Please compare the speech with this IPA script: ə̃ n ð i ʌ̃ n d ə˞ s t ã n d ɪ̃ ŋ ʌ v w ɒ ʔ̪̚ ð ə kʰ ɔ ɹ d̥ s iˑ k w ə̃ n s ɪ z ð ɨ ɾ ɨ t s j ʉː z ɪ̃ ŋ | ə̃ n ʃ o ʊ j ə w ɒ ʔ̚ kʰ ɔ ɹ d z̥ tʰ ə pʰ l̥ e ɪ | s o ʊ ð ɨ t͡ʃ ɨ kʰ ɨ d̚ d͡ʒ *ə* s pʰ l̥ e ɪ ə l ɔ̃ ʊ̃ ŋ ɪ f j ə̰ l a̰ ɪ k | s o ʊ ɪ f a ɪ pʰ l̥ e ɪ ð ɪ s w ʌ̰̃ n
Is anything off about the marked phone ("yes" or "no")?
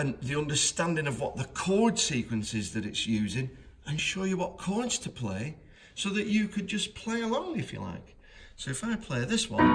yes